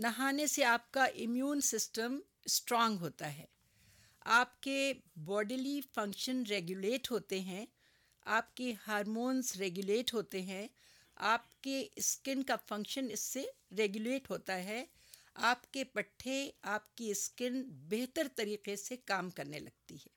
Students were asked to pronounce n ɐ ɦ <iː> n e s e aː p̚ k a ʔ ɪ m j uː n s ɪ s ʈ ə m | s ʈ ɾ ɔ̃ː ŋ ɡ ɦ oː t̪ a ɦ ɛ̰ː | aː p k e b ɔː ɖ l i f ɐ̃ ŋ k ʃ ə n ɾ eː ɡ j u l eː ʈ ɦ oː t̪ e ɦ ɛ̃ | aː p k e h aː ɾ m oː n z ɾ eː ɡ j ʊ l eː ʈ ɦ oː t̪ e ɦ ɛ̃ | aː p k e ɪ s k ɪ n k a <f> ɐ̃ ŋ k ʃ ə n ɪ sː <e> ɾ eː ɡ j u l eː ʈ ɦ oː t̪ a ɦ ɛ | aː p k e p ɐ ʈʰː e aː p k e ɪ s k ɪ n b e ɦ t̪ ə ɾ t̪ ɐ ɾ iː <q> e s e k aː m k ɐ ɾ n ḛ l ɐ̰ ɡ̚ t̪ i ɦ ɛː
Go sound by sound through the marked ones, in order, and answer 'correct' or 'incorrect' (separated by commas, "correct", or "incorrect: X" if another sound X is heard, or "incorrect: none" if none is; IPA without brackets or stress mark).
incorrect: aː, correct, correct, correct